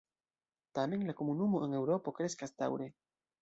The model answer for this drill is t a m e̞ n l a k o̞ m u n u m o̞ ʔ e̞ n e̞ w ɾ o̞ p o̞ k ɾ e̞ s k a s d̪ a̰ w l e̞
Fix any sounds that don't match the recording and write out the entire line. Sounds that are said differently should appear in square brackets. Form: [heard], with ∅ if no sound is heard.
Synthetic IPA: t a m e̞ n l a k o̞ m u n u m o̞ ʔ e̞ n e̞ w ɾ o̞ p o̞ k ɾ e̞ s k a s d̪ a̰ w [ɾ] e̞